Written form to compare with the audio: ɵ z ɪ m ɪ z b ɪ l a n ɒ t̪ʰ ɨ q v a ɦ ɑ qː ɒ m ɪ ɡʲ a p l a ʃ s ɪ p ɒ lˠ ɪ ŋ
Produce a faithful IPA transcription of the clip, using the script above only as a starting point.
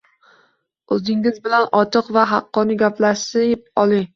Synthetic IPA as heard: ɵ z ɪ ŋ ɪ z b ɪ l a n ɒ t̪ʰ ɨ q v a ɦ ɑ qː ɒ n ɪ ɡʲ a p l a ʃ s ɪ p ɒ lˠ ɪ ŋ